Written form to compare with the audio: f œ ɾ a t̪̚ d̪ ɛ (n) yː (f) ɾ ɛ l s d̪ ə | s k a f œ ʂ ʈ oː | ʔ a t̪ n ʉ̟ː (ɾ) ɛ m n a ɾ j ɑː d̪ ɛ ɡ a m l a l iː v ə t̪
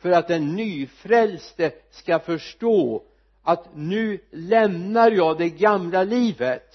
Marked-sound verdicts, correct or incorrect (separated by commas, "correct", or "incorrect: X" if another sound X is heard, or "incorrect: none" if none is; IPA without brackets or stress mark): incorrect: nː, correct, incorrect: l